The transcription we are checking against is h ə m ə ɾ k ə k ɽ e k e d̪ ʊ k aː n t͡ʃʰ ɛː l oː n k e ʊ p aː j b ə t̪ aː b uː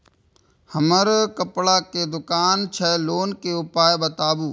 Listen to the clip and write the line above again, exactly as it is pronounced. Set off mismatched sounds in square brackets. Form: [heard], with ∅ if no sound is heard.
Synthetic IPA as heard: h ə m ə ɾ k ə [p] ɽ [a] k e d̪ ʊ k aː n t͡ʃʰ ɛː l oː n k e ʊ p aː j b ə t̪ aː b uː